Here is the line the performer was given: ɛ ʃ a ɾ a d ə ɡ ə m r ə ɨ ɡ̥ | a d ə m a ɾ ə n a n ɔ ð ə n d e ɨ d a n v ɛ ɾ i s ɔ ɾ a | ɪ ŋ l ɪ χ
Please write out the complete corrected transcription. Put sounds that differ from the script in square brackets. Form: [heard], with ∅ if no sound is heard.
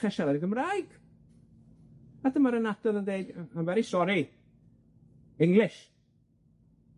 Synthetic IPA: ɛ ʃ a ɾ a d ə ɡ ə m r [a] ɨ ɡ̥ | a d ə m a ɾ ə n a [d] ɔ ð ə n d e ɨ d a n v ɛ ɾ i s ɔ ɾ [i] | ɪ ŋ l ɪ [ʃ]